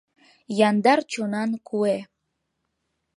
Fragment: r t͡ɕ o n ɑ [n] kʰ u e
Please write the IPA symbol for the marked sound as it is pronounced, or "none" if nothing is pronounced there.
n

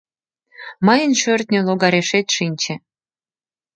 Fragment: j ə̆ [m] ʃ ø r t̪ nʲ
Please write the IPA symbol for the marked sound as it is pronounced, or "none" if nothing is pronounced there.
n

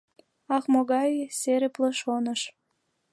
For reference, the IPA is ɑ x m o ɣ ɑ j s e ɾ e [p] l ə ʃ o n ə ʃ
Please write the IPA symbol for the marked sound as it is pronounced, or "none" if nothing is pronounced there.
p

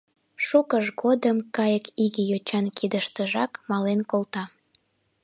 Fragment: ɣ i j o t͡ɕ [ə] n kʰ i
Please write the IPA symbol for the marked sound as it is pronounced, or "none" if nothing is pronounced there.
ɑ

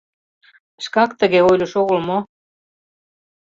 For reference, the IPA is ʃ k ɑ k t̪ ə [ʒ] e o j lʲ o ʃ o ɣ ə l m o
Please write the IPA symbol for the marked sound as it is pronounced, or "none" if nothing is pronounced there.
ɣ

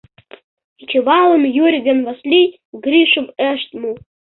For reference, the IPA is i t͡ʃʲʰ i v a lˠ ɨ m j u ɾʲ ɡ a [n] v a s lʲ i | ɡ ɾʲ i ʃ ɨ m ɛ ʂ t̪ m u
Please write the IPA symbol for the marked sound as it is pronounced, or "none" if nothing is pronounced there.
n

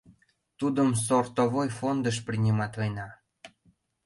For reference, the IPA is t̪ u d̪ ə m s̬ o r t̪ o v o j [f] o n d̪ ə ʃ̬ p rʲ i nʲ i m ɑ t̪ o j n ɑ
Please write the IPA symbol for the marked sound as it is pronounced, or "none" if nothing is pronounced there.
f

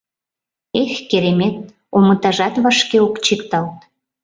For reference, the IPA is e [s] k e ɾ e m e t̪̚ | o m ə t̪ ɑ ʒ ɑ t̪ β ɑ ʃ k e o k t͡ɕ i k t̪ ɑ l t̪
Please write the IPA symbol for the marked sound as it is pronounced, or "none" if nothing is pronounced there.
x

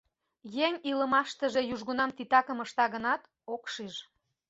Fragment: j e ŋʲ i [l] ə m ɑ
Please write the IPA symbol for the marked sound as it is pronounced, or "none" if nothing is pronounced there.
l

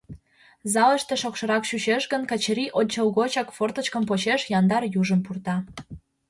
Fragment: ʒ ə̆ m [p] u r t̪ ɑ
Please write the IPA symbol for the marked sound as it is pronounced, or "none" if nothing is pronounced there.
p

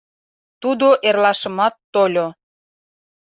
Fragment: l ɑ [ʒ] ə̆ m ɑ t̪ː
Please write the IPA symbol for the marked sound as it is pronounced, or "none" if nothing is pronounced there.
ʃ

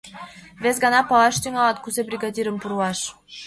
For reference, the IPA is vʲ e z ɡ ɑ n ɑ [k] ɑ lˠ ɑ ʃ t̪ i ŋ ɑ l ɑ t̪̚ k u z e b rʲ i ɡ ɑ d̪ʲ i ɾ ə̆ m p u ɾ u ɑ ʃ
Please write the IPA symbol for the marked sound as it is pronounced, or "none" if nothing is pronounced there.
p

